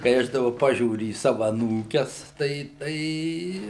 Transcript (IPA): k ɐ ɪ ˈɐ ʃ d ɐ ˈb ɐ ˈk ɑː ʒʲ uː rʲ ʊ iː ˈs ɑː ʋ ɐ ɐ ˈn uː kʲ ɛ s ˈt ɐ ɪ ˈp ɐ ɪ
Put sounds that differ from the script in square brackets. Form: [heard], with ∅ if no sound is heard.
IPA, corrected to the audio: k ɐ ɪ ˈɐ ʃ d ɐ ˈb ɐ [ˈp] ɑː ʒʲ uː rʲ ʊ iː ˈs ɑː ʋ ɐ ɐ ˈn uː kʲ ɛ s ˈt ɐ ɪ [ˈt] ɐ ɪ